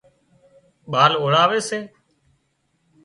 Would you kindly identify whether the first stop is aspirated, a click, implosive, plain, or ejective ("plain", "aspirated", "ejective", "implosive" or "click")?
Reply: implosive